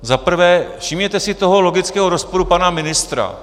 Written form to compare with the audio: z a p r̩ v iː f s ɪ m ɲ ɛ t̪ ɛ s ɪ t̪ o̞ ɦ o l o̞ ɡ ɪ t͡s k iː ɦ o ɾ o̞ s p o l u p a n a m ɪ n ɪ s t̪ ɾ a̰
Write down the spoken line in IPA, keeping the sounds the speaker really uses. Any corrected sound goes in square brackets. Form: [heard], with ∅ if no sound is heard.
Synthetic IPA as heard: z a p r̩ v [ɛː] f [ʃ] ɪ m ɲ ɛ t̪ ɛ s ɪ t̪ o̞ ɦ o l o̞ ɡ ɪ t͡s k [ɛː] ɦ o ɾ o̞ s p o [ɾ] u p a n a m ɪ n ɪ s t̪ ɾ a̰

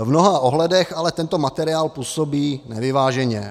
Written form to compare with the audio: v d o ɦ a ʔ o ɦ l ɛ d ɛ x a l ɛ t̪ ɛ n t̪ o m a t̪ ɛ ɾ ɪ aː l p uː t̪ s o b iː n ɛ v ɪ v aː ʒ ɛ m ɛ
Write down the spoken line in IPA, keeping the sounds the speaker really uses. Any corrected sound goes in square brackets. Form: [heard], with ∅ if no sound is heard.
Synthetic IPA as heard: v [n] o ɦ a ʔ o ɦ l ɛ d ɛ x a l ɛ t̪ ɛ n t̪ o m a t̪ ɛ ɾ ɪ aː l p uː [∅] s o b iː n ɛ v ɪ v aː ʒ ɛ [ɲ] ɛ

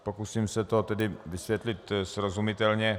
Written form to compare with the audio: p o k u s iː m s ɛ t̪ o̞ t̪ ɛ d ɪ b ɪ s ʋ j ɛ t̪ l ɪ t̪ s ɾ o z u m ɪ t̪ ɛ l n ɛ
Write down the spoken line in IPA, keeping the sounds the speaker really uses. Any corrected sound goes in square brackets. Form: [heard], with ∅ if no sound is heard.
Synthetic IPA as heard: p o k u s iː m s ɛ t̪ o̞ t̪ ɛ d ɪ [v] ɪ s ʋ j ɛ t̪ l ɪ t̪ s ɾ o z u m ɪ t̪ ɛ l [ɲ] ɛ

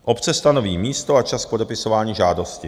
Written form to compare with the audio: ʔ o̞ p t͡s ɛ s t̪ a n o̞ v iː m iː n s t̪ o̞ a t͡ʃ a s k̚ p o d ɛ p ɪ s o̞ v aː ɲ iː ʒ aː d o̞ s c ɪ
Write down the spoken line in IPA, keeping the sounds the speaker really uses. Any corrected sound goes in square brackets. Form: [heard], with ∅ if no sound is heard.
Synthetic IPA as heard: ʔ o̞ p t͡s ɛ s t̪ a n o̞ v iː m iː [∅] s t̪ o̞ a t͡ʃ a s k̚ p o d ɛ p ɪ s o̞ v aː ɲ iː ʒ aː d o̞ s c ɪ

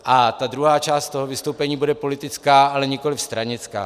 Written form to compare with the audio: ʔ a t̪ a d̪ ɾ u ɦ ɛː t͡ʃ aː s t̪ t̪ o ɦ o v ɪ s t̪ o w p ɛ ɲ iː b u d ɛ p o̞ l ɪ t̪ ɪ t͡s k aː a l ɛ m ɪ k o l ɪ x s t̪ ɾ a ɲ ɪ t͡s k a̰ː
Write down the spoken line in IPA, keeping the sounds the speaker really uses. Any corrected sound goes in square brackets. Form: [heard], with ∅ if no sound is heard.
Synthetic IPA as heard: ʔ a t̪ a d̪ ɾ u ɦ [aː] t͡ʃ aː s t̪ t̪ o ɦ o v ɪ s t̪ o w p ɛ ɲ iː b u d ɛ p o̞ l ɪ t̪ ɪ t͡s k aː a l ɛ [ɲ] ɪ k o l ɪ [f] s t̪ ɾ a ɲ ɪ t͡s k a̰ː

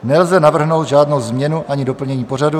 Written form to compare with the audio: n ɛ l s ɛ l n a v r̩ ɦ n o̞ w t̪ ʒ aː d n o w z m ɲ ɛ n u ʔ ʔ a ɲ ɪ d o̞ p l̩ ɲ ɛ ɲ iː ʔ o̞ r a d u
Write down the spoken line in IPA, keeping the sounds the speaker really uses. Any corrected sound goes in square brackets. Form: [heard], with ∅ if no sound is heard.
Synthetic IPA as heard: n ɛ l [z] ɛ [∅] n a v r̩ ɦ n o̞ w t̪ ʒ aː d n o w z m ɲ ɛ n u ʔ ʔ a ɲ ɪ d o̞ p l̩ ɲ ɛ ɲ iː [p] o̞ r a d u

